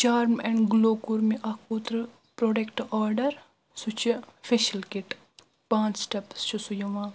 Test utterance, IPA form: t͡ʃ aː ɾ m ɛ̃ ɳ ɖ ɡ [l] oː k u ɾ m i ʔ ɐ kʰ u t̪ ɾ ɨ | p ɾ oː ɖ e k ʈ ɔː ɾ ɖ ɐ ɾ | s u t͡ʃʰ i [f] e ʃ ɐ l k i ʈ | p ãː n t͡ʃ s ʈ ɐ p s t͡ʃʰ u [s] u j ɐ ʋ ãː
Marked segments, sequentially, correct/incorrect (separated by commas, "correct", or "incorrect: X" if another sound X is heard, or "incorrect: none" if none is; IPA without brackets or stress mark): correct, correct, correct